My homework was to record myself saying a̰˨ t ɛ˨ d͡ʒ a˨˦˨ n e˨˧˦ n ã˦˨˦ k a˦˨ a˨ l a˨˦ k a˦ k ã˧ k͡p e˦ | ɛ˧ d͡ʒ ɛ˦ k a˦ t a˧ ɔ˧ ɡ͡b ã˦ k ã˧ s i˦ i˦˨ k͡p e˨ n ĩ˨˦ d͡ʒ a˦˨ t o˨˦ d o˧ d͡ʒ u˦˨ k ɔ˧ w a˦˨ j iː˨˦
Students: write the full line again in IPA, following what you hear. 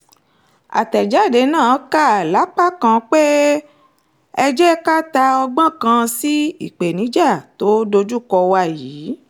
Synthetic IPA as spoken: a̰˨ t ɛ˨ d͡ʒ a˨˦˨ d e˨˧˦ n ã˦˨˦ k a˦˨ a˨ l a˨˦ k͡p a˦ k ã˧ k͡p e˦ | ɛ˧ d͡ʒ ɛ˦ k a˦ t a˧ ɔ˧ ɡ͡b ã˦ k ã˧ s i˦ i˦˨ k͡p e˨ n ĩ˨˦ d͡ʒ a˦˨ t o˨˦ d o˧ d͡ʒ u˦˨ k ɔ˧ w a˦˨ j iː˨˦